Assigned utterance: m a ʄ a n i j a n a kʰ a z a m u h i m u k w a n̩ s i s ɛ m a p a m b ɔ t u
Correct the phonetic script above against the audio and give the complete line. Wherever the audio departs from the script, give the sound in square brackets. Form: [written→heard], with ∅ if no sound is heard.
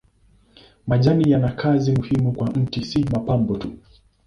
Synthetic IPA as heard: m a ʄ a n i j a n a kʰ a z [a→i] m u h i m u k w a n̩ [s→t] i s [ɛ→i] m a p a m b ɔ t u